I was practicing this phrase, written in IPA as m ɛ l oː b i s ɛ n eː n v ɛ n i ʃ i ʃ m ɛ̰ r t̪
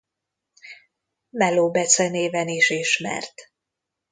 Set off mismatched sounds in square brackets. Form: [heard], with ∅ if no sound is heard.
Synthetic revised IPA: m ɛ l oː b [ɛ] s ɛ n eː [∅] v ɛ n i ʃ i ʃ m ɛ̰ r t̪